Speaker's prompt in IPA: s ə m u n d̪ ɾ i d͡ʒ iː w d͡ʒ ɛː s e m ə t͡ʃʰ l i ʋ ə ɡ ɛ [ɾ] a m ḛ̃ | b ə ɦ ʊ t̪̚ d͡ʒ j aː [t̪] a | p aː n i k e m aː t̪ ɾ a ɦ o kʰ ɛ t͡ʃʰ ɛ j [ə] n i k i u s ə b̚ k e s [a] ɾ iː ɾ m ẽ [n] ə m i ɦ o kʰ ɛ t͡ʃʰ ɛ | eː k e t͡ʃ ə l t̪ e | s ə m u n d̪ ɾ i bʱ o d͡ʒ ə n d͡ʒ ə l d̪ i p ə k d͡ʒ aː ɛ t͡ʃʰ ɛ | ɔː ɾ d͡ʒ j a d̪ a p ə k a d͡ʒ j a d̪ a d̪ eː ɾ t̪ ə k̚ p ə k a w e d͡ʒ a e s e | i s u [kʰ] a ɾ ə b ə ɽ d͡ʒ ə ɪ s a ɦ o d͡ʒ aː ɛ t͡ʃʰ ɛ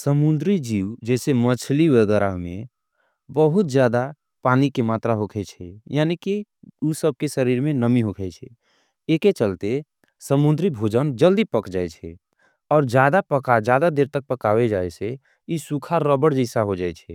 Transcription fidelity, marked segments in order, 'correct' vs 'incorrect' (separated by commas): correct, incorrect, incorrect, incorrect, correct, correct